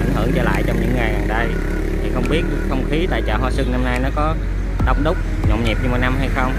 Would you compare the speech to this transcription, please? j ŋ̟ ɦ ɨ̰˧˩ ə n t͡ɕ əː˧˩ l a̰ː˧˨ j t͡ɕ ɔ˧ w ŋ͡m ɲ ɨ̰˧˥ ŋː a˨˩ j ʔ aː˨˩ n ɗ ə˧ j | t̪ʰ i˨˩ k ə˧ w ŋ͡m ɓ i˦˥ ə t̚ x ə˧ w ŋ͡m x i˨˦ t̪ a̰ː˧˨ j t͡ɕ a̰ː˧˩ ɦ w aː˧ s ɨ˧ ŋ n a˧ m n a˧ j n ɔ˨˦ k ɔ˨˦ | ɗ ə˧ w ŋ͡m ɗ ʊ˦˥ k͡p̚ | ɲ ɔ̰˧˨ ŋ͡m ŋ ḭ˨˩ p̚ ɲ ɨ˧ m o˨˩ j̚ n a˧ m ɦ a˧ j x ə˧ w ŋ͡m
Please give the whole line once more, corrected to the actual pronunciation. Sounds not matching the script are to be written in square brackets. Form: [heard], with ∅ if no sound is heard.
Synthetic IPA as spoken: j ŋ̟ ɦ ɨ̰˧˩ ə [ŋ] t͡ɕ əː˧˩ l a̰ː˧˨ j t͡ɕ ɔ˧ w ŋ͡m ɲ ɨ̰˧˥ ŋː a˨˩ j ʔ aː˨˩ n ɗ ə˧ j | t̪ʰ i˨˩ [x] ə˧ w ŋ͡m ɓ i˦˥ ə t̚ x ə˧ w ŋ͡m x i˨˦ t̪ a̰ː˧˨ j t͡ɕ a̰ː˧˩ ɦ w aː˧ s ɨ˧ ŋ n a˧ m n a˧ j n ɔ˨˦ k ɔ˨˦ | ɗ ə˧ w ŋ͡m ɗ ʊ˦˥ k͡p̚ | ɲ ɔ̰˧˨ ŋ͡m [ɲ] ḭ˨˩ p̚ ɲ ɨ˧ m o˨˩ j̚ n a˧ m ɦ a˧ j x ə˧ w ŋ͡m